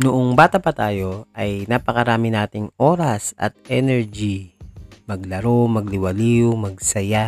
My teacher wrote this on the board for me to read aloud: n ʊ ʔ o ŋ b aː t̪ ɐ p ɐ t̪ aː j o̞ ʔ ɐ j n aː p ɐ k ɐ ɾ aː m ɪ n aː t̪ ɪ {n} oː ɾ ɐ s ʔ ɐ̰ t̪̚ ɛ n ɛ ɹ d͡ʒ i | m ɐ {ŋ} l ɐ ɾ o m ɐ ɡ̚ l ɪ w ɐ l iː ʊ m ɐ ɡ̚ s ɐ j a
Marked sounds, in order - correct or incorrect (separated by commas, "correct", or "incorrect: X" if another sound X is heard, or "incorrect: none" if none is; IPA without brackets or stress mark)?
incorrect: ŋ, incorrect: ɡ